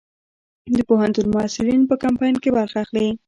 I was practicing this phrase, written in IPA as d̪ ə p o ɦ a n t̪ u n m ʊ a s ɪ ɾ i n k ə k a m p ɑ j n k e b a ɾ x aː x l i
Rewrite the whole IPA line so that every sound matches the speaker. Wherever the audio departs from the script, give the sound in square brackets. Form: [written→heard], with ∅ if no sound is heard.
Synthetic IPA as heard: d̪ ə p o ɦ a n t̪ u n m ʊ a s ɪ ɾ i n [k→p] ə k a m p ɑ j n k e b a ɾ x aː x l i

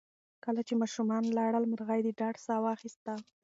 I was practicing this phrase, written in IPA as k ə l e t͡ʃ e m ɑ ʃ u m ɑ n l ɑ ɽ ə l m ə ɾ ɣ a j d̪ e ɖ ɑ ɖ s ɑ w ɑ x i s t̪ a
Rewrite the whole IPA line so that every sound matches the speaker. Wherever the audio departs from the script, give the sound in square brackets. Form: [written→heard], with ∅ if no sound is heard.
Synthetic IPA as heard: k ə l [e→a] t͡ʃ e m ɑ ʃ u m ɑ n l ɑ ɽ ə l m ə ɾ ɣ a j d̪ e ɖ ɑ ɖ s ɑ w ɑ x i s t̪ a

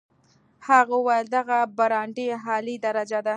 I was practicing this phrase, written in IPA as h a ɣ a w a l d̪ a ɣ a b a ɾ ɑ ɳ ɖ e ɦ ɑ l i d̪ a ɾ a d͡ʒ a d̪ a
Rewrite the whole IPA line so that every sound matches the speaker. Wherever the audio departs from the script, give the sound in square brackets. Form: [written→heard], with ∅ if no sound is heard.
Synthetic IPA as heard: h a ɣ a w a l d̪ a ɣ a b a ɾ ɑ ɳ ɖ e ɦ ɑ l i d̪ a ɾ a d͡ʒ a d̪ a

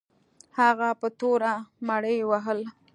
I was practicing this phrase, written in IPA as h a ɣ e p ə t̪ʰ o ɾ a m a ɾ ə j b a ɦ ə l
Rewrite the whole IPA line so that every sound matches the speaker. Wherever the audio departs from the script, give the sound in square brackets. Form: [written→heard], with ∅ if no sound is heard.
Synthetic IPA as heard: h a ɣ [e→a] p ə [t̪ʰ→t̪] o ɾ a m a [ɾ→ɽ] ə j [b→w] a ɦ ə l

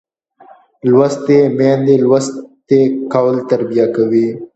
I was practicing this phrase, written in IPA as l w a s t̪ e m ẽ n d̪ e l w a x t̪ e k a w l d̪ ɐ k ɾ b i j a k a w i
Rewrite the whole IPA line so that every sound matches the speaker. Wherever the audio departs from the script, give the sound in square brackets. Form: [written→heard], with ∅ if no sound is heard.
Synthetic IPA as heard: l w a s t̪ e m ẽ n d̪ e l w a [x→s] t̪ e k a w l [d̪→t̪] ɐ [k→∅] ɾ b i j a k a w i

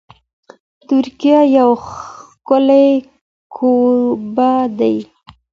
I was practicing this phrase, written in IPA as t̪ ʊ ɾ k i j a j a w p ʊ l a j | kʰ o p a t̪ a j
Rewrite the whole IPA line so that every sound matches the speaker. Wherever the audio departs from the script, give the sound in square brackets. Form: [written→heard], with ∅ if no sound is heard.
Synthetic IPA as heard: t̪ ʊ ɾ k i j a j a w [p→k] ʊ l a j | kʰ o [p→b] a [t̪→d̪] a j

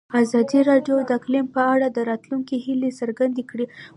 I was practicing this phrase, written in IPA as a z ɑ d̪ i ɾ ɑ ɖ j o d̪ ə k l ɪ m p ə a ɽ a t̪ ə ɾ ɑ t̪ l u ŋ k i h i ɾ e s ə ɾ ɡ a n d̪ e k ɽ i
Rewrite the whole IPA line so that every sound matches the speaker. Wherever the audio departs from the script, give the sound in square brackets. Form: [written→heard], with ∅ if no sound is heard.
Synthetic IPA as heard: a z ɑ d̪ i ɾ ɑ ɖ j o d̪ ə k l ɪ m p ə a ɽ a [t̪→d̪] ə ɾ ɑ t̪ l u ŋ k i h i [ɾ→l] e s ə ɾ ɡ a n d̪ e k ɽ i

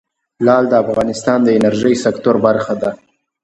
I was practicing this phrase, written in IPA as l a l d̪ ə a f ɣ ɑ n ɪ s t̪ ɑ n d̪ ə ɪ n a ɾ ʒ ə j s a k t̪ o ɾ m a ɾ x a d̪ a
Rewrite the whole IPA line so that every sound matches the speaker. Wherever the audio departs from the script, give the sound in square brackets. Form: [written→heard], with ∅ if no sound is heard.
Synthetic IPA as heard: l [a→ɑ] l d̪ ə a f ɣ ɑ n ɪ s t̪ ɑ n d̪ ə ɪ n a ɾ ʒ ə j s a k t̪ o ɾ [m→b] a ɾ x a d̪ a

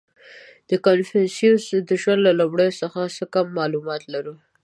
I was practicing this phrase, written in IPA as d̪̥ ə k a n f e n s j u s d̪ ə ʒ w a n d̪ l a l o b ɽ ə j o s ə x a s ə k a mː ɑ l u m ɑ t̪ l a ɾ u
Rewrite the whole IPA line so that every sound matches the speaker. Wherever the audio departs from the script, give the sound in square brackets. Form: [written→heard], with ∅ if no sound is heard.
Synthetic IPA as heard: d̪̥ ə k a n f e n s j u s d̪ ə ʒ w a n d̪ l a l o b ɽ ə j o s ə x a s ə k a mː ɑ l u m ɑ t̪ l a ɾ u

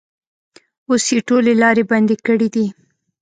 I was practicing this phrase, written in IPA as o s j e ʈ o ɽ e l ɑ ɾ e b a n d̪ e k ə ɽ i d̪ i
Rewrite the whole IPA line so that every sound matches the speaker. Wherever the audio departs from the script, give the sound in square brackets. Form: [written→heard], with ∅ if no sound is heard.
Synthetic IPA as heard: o s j e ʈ o [ɽ→l] e l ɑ ɾ e b a n d̪ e k ə ɽ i d̪ i

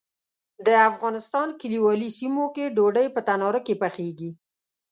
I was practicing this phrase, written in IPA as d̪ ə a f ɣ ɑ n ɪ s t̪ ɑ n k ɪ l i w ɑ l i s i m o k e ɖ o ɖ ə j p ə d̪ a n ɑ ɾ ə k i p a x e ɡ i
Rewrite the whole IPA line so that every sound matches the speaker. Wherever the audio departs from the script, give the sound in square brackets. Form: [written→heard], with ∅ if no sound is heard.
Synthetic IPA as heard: d̪ ə a f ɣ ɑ n ɪ s t̪ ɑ n k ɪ l i w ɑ l i s i m o k e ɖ o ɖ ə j p ə [d̪→t̪] a n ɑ ɾ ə k [i→e] p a x e ɡ i

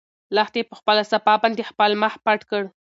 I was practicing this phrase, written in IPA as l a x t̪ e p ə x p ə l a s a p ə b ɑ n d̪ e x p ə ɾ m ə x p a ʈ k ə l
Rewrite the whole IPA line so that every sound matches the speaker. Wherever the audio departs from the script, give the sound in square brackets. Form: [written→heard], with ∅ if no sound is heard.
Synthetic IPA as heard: l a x t̪ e p ə x p ə l a s a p [ə→ɑ] b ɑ n d̪ e x p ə [ɾ→l] m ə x p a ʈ k ə [l→ɽ]

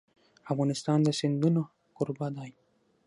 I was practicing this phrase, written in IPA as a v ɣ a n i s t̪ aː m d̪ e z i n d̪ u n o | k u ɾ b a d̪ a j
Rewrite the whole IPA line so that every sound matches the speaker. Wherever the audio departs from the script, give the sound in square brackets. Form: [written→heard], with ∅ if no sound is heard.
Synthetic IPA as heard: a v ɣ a n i s t̪ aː [m→n] d̪ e [z→s] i n d̪ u n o | k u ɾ b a d̪ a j

